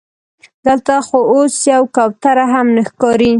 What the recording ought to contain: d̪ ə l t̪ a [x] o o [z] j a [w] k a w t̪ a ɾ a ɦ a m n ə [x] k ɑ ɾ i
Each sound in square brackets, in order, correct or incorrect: correct, incorrect, correct, correct

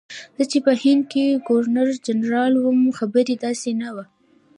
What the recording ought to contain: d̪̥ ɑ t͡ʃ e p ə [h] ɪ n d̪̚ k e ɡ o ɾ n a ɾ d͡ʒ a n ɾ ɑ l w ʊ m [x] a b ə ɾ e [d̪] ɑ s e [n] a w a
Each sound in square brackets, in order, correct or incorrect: correct, correct, correct, correct

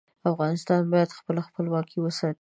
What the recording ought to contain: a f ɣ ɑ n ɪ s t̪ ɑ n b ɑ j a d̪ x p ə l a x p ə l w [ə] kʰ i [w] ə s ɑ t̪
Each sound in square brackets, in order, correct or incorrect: incorrect, correct

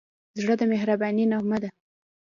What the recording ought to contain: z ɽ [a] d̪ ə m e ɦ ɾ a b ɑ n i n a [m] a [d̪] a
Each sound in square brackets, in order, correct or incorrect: incorrect, correct, correct

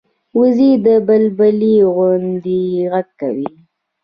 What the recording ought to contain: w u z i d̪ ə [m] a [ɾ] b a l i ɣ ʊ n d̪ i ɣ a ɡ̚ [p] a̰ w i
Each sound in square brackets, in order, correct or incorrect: incorrect, incorrect, incorrect

